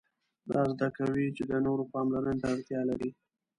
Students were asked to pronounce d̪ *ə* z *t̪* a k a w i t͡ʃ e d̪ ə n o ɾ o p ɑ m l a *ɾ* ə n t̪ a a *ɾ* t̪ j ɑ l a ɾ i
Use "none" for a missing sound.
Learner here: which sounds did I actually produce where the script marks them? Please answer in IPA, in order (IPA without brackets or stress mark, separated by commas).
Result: ɑ, d̪, ɾ, ɽ